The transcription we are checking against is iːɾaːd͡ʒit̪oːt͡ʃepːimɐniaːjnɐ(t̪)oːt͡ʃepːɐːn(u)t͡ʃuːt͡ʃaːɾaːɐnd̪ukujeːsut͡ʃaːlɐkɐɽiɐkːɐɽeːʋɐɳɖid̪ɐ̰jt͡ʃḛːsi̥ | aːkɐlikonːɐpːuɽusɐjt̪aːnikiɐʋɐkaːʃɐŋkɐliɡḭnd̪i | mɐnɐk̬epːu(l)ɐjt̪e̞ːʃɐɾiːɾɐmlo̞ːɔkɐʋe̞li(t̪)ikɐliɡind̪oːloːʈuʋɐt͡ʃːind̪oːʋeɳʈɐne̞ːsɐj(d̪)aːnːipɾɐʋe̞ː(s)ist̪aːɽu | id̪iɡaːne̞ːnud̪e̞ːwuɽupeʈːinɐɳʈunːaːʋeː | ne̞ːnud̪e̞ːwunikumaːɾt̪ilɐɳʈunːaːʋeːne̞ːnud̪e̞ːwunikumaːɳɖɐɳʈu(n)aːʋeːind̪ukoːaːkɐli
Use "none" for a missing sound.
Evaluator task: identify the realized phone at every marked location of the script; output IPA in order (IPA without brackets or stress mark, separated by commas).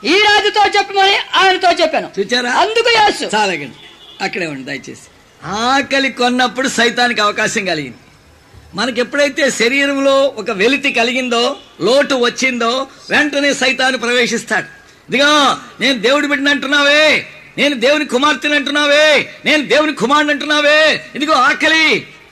t̪, u, ɽ, t̪, t̪, ʂ, nː